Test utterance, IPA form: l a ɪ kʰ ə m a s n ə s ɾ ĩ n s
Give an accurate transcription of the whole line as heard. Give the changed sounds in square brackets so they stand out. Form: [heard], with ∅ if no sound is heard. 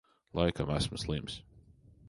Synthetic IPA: l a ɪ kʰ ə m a s [m] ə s [l] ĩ [m] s